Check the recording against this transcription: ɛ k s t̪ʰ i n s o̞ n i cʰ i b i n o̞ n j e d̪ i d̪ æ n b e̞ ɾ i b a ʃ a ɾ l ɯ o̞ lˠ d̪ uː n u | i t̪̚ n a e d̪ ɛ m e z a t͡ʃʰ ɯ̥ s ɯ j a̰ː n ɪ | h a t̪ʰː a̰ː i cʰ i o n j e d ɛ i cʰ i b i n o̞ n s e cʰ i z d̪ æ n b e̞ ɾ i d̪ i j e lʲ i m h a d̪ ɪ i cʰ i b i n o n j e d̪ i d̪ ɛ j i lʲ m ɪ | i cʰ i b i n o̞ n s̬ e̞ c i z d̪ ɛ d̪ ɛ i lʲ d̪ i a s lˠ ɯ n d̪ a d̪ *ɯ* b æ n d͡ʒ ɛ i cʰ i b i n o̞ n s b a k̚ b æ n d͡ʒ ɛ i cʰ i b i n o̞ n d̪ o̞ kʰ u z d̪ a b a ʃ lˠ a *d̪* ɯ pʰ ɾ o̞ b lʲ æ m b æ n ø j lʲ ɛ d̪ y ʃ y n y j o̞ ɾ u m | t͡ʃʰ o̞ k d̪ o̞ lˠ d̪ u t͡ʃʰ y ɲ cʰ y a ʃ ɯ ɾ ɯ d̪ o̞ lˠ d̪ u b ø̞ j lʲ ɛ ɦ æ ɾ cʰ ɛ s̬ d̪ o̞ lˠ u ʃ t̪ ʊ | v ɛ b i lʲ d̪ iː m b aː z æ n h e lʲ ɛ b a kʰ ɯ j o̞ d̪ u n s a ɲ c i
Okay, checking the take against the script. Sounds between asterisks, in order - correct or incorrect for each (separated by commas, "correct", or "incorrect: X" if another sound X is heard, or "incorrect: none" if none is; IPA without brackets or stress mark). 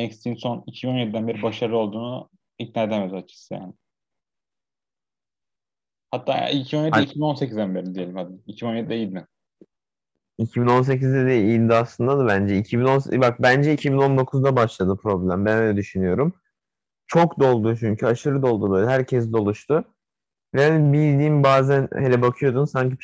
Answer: correct, correct